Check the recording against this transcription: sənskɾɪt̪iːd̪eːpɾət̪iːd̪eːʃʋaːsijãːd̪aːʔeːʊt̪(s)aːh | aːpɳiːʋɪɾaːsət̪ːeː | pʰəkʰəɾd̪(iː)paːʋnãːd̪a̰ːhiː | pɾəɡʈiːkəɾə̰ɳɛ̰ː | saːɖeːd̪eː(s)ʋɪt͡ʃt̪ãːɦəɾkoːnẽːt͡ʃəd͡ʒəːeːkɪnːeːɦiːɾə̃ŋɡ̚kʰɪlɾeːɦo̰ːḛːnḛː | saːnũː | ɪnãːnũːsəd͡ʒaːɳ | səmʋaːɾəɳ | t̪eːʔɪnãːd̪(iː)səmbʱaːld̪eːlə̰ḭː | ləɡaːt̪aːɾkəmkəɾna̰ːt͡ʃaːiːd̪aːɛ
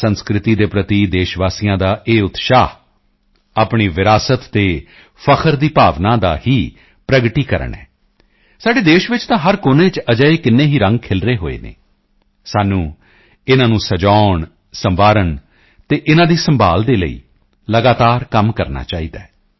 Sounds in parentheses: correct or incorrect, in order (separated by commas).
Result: incorrect, correct, incorrect, correct